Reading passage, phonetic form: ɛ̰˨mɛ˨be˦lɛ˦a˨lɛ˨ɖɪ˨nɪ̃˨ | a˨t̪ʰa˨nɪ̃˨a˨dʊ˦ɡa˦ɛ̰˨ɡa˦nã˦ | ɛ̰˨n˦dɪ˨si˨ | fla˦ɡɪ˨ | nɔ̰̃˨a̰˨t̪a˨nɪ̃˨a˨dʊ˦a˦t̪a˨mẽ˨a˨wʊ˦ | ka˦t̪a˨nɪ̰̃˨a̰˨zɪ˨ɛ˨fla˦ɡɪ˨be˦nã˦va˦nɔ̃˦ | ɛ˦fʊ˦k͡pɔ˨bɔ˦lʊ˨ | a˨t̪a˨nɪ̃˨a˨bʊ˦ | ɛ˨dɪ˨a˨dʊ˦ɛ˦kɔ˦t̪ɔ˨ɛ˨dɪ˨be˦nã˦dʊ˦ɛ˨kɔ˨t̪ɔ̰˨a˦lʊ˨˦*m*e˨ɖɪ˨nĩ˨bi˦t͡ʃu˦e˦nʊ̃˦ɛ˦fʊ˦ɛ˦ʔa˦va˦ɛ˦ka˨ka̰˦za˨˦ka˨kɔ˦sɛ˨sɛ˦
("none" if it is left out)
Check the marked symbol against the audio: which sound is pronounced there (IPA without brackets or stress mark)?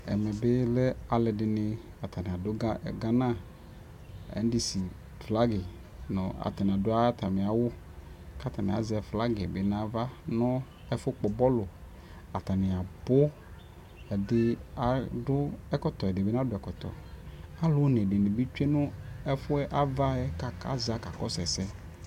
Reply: n